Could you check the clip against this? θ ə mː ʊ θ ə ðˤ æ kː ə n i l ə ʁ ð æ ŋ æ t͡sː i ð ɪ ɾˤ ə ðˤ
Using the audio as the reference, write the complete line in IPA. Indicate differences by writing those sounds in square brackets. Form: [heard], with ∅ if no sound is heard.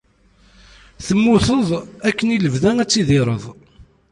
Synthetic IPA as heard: θ ə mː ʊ θ ə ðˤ æ kː ə n i l ə [v] ð æ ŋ æ t͡sː i ð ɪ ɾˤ ə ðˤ